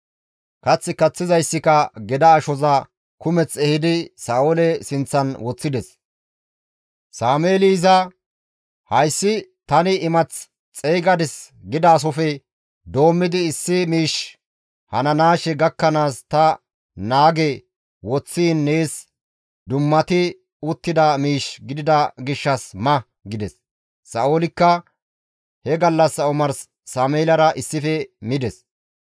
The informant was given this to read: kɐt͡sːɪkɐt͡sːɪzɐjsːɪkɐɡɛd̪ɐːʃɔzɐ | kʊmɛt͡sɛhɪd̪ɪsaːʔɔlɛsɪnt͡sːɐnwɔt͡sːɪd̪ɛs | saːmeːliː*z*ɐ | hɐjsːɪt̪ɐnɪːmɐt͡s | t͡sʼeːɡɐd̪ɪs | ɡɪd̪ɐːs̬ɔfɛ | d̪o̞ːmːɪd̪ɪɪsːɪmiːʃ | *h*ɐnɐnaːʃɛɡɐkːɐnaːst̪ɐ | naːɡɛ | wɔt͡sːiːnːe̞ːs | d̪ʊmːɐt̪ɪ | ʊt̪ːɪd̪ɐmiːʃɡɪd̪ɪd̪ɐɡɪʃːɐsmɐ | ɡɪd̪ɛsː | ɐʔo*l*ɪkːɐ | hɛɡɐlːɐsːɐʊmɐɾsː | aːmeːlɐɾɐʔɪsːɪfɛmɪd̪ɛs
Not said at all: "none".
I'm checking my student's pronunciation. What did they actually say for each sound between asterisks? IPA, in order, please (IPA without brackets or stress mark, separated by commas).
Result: z, h, l